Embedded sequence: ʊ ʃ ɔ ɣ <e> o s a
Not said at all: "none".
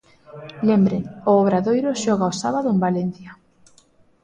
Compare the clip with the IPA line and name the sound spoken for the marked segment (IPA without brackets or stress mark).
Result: a